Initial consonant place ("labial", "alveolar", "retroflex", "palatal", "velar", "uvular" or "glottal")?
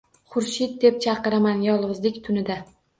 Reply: uvular